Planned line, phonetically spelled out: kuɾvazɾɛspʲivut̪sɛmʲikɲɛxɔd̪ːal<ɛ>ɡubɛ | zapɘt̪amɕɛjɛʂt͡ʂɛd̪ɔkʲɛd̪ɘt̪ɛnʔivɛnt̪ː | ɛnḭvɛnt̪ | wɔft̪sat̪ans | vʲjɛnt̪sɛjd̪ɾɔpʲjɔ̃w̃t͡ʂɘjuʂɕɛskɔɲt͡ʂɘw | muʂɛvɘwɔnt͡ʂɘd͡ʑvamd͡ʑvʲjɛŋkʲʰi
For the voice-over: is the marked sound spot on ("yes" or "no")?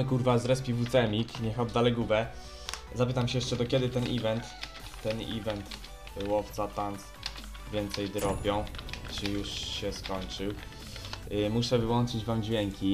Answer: yes